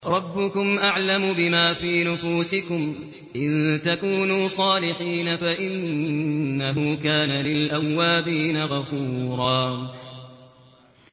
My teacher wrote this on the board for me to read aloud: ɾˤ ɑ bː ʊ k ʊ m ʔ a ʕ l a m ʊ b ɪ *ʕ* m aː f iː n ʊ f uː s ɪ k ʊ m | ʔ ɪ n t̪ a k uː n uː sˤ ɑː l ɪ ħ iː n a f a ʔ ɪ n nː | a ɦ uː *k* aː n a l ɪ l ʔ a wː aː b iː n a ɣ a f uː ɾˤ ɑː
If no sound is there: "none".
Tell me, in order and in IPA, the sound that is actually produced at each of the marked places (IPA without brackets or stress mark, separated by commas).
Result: none, k